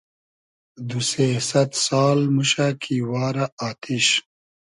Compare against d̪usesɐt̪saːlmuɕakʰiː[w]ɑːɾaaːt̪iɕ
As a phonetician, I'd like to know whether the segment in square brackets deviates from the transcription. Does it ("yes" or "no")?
no